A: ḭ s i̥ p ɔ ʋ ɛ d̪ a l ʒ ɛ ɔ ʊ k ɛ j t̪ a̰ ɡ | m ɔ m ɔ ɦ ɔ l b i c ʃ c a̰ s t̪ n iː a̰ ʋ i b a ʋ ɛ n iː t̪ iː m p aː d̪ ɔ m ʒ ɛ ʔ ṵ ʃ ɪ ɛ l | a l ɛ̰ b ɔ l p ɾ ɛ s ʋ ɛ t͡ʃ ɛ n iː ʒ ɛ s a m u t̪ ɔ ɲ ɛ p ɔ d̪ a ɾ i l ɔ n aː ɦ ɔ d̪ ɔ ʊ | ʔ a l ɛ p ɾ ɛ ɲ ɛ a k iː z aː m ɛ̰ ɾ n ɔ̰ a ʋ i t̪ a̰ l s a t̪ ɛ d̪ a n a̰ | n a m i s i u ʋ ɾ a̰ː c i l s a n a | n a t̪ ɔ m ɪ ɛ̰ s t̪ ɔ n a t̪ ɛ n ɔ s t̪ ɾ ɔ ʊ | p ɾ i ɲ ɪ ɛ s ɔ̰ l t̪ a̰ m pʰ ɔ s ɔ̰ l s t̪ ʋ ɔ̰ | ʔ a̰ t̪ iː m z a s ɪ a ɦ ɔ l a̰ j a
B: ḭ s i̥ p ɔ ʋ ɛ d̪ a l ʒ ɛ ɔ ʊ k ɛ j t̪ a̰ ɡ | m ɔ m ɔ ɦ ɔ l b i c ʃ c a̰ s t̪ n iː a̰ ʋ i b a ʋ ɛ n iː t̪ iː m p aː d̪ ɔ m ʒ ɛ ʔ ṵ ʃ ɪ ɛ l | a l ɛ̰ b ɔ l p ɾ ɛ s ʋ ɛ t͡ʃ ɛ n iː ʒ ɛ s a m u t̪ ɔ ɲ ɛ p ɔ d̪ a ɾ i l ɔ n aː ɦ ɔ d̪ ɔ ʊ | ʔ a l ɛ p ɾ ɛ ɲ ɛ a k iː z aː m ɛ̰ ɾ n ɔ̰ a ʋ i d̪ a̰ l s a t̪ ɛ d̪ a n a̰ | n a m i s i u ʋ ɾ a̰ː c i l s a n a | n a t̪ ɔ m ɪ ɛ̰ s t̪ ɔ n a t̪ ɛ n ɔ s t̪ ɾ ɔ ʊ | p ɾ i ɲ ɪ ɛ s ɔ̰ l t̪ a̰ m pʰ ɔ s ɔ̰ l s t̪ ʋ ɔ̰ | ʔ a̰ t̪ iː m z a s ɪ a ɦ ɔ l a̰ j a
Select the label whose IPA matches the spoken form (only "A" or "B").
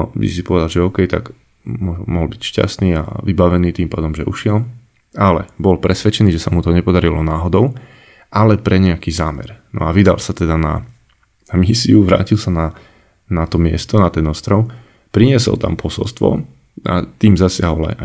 B